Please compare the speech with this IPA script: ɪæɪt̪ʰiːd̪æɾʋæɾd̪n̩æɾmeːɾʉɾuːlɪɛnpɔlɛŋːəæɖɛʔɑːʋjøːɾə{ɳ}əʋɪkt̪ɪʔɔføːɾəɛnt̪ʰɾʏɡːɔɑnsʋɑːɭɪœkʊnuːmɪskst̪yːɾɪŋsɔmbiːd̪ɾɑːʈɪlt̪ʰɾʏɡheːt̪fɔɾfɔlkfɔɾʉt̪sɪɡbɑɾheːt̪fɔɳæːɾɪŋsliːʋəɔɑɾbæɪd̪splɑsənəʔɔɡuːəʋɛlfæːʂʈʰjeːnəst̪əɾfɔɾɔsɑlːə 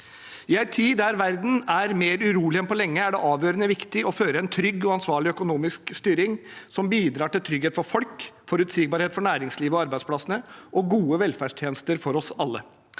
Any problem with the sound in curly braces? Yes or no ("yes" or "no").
yes